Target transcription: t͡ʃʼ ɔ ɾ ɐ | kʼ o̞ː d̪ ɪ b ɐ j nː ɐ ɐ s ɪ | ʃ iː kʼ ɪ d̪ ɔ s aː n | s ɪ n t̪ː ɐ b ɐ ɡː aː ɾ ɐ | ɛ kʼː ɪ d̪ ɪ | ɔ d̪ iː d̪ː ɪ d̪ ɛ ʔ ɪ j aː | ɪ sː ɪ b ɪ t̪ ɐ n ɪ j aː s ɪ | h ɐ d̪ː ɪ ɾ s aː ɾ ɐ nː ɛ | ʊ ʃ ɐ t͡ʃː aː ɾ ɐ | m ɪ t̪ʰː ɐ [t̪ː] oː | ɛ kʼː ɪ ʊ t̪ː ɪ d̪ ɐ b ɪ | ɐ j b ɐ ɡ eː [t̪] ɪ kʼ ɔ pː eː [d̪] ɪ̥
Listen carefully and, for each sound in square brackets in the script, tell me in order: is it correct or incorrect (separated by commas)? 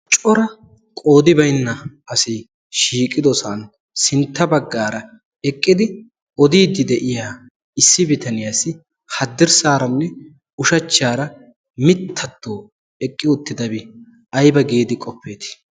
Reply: correct, incorrect, incorrect